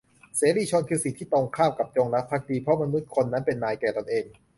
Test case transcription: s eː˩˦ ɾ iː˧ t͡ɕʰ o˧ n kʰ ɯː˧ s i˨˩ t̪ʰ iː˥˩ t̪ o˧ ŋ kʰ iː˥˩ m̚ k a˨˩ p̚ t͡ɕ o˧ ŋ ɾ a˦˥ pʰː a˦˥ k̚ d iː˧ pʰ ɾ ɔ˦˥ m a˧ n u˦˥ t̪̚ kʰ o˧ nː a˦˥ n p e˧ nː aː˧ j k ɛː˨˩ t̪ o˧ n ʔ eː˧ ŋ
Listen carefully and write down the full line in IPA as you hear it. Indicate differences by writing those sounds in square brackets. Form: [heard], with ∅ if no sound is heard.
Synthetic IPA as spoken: s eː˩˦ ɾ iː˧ t͡ɕʰ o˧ n kʰ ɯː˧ s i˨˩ t̪ʰ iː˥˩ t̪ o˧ ŋ kʰ [aː˥˩] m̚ k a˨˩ p̚ t͡ɕ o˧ ŋ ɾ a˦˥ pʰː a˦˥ k̚ d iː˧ pʰ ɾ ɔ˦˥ m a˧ n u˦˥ t̪̚ kʰ o˧ nː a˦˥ n p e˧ nː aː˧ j k ɛː˨˩ t̪ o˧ n ʔ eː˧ ŋ